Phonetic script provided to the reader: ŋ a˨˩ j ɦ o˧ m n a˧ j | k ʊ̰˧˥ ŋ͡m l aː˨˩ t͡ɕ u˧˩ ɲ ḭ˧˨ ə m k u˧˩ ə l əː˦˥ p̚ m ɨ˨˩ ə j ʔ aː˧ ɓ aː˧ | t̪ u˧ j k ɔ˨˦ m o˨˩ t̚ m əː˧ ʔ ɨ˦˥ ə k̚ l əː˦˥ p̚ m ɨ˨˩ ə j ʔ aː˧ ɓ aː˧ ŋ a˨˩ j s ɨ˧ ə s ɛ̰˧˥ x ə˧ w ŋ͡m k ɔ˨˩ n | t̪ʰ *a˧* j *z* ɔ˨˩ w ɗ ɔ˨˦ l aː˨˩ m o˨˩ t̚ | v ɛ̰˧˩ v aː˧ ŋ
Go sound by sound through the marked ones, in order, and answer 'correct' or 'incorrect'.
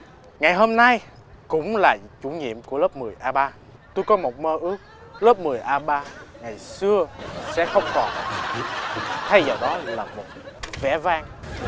correct, correct

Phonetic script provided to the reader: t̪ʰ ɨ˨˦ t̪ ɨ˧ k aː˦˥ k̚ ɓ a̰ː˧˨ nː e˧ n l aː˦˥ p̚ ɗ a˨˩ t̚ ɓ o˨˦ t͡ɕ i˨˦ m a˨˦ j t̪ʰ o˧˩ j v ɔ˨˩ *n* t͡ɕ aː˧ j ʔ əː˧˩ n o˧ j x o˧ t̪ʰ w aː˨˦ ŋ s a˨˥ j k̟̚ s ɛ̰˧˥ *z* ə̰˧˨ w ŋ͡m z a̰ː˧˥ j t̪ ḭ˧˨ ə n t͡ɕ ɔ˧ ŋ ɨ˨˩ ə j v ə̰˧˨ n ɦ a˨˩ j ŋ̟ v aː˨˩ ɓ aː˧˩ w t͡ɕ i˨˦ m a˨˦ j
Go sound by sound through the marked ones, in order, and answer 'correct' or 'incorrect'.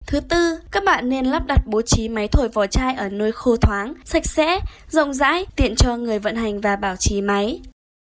incorrect: none, correct

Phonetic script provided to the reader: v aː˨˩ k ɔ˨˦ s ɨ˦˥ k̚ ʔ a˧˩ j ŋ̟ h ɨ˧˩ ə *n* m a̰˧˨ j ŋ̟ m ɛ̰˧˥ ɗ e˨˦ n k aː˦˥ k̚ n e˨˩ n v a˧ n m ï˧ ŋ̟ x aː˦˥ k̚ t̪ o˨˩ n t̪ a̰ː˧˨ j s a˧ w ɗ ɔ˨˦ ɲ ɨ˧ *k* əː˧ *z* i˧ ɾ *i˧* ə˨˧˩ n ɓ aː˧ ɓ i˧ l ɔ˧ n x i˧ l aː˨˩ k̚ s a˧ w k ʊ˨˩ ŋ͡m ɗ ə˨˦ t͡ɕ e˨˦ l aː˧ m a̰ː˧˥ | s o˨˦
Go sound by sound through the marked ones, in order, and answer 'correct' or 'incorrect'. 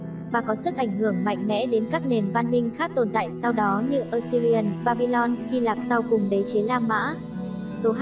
incorrect: ŋ, incorrect: ʔ, incorrect: s, correct

